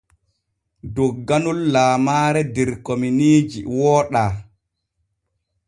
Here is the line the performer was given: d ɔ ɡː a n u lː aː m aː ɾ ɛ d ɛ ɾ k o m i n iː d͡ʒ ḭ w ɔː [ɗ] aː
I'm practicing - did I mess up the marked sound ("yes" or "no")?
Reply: no